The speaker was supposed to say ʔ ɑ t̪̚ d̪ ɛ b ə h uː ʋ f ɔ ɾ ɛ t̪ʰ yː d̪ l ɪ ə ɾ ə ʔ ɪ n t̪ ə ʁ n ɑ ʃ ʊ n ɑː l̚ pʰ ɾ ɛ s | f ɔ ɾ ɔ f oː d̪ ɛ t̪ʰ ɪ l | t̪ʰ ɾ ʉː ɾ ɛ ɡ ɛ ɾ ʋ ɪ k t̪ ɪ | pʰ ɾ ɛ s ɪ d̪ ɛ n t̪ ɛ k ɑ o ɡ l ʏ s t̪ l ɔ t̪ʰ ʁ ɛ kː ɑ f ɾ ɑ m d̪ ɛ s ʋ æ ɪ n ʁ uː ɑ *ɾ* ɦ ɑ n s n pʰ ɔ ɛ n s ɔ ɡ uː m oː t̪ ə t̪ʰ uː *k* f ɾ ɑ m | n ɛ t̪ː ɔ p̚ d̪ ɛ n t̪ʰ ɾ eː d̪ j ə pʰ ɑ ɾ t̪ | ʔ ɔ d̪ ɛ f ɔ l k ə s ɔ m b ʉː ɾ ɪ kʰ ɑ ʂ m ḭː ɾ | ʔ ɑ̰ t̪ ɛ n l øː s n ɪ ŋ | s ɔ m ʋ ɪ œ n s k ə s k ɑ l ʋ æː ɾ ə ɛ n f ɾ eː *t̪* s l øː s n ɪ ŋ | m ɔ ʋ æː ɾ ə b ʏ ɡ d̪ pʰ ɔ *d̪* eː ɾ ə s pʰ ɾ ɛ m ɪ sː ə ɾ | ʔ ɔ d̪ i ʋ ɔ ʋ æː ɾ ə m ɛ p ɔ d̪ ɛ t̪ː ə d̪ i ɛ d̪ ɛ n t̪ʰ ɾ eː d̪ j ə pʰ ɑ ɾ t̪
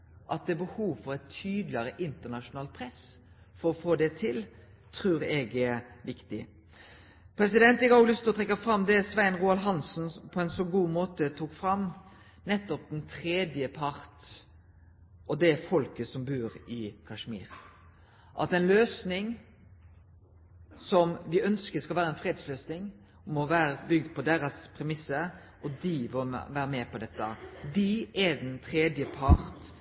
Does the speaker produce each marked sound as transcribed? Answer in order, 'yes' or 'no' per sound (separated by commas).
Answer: no, yes, no, yes